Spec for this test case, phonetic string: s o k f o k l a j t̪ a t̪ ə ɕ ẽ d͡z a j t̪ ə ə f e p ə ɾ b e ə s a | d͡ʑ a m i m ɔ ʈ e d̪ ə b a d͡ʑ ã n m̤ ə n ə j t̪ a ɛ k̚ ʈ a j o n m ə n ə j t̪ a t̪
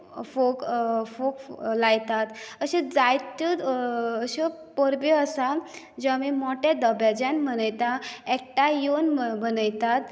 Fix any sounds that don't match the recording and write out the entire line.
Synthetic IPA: f o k f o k l a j t̪ a t̪ ə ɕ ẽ d͡z a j t̪ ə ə ɕ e p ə ɾ b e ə s a | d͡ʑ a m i m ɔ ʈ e d̪ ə b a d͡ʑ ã n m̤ ə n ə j t̪ a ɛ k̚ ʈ a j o n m ə n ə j t̪ a t̪

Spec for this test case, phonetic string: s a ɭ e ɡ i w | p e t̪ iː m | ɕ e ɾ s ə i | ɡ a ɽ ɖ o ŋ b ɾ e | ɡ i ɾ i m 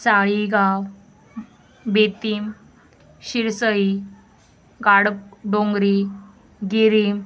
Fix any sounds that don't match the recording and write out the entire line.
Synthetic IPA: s a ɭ i ɡ a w | b e t̪ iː m | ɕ i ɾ s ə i | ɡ a ɽ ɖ o ŋ ɡ ɾ i | ɡ i ɾ i m

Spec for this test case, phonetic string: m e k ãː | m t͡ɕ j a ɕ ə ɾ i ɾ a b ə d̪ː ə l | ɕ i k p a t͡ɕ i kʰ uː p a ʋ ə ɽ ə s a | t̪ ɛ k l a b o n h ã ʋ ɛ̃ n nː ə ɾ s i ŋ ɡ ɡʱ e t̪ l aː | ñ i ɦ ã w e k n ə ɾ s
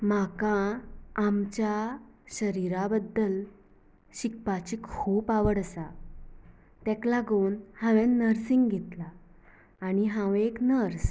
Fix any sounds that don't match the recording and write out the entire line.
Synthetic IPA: m a k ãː | m t͡ɕ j a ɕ ə ɾ i ɾ a b ə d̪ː ə l | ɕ i k p a t͡ɕ i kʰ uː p a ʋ ə ɽ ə s a | t̪ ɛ k l a ɡ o n h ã ʋ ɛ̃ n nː ə ɾ s i ŋ ɡ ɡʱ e t̪ l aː | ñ i ɦ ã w e k n ə ɾ s

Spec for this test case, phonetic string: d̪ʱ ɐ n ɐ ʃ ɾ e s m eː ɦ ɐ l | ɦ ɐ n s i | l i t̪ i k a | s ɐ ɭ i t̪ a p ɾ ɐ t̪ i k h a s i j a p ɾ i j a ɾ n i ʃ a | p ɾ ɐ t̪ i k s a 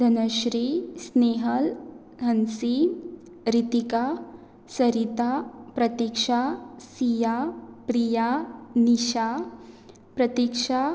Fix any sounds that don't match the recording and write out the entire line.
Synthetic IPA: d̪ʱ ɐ n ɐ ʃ ɾ i s n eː ɦ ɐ l | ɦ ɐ n s i | ɾ i t̪ i k a | s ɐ ɾ i t̪ a p ɾ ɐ t̪ i k ʂ a s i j a p ɾ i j a n i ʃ a | p ɾ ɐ t̪ i k ʂ a

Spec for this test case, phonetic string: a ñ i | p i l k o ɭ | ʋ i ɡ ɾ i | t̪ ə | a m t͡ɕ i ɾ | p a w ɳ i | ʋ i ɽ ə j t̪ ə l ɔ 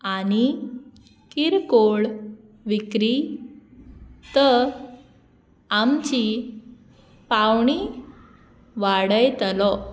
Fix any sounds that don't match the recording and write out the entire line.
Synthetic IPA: a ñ i | k i ɾ k o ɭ | ʋ i k ɾ i | t̪ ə | a m t͡ɕ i | p a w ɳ i | ʋ a ɽ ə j t̪ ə l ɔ

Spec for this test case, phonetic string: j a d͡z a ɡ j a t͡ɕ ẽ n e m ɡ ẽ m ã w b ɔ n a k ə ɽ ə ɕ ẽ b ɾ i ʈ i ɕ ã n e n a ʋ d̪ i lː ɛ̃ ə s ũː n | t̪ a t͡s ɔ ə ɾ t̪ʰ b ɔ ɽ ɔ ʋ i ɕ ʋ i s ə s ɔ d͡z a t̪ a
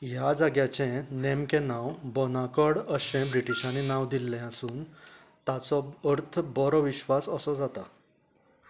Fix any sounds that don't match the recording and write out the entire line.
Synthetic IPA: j a d͡z a ɡ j a t͡ɕ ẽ n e m k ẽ n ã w b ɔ n a k ə ɽ ə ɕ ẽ b ɾ i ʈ i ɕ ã n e n a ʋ d̪ i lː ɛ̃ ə s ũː n | t̪ a t͡s ɔ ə ɾ t̪ʰ b ɔ ɾ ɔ ʋ i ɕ ʋ a s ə s ɔ d͡z a t̪ a

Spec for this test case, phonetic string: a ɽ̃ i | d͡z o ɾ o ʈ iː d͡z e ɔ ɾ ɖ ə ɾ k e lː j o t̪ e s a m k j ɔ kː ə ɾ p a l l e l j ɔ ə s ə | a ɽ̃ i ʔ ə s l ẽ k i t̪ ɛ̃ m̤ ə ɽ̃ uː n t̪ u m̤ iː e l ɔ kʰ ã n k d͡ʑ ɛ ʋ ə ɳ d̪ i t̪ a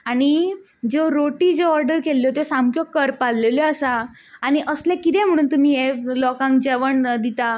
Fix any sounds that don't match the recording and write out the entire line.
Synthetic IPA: a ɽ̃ i | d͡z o ɾ o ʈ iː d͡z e ɔ ɾ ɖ ə ɾ k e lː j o t̪ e s a m k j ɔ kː ə ɾ p a l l e l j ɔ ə s a | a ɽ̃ i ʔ ə s l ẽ k i t̪ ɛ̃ m̤ ə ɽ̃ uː n t̪ u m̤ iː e l ɔ k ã ŋ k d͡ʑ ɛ ʋ ə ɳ d̪ i t̪ a

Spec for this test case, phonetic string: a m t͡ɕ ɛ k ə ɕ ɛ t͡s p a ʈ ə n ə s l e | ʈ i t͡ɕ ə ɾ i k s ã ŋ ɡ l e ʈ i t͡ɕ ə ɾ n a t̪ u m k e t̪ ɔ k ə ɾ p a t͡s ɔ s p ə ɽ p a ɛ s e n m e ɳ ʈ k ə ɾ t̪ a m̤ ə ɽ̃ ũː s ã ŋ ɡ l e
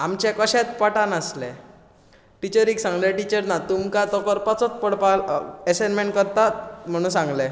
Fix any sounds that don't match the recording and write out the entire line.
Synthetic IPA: a m t͡ɕ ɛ k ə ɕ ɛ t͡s p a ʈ a n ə s l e | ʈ i t͡ɕ ə ɾ i k s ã ŋ ɡ l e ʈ i t͡ɕ ə ɾ n a t̪ u m k a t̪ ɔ k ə ɾ p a t͡s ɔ t͡s p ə ɽ p a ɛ s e n m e ɳ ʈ k ə ɾ t̪ a m̤ ə ɽ̃ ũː s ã ŋ ɡ l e

